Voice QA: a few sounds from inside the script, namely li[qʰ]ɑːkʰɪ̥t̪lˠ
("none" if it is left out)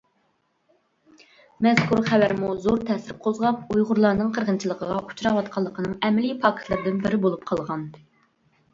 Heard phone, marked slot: pʰ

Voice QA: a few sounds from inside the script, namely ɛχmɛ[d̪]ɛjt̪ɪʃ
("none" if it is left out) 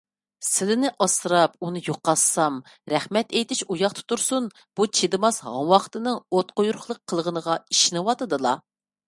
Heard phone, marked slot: t̪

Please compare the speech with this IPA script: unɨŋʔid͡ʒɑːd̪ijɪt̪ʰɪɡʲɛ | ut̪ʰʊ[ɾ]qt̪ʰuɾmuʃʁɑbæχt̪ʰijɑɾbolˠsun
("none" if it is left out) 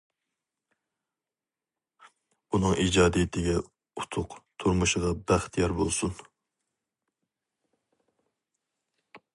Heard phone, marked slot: none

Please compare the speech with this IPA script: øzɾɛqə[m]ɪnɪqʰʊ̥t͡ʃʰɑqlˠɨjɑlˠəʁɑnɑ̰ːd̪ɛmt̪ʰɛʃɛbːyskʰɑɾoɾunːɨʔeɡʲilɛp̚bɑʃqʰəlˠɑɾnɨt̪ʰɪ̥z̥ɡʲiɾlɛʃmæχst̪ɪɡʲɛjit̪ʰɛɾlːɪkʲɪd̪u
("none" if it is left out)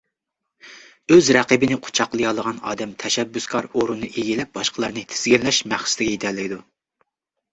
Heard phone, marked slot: b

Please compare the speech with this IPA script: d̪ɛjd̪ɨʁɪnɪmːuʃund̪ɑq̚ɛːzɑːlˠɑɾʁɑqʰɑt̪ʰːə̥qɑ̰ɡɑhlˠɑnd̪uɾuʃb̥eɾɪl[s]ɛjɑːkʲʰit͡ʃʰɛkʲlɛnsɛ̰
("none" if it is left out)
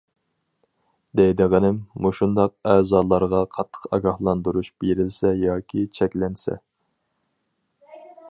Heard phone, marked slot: s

